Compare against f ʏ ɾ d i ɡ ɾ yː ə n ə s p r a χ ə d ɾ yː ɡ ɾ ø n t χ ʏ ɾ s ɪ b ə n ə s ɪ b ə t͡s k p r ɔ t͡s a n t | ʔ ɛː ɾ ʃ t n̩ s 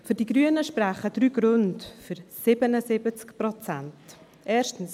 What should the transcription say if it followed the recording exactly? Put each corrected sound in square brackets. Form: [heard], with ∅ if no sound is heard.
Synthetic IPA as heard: f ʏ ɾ d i ɡ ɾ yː ə n ə [ʃ] p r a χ ə d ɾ yː ɡ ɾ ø n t [f] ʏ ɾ s ɪ b ə n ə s ɪ b ə t͡s k p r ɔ t͡s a n t | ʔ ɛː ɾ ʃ t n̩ s